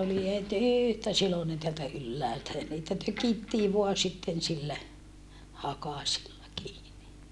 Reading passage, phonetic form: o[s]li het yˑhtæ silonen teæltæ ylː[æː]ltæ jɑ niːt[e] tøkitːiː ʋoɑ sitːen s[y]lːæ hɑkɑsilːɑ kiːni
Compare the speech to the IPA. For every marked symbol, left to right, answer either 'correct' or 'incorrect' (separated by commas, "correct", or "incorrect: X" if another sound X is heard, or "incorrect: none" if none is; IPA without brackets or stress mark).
incorrect: none, correct, incorrect: æ, incorrect: i